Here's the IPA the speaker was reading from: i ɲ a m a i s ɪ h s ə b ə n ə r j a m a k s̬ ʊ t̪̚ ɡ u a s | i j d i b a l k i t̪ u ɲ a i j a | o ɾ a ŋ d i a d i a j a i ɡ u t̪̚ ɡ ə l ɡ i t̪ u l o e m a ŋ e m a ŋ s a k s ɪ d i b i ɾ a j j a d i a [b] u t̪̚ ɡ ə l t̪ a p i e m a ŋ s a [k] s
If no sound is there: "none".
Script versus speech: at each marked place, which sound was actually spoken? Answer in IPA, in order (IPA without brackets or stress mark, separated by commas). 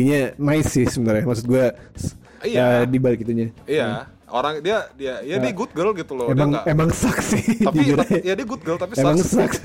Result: ɡ, k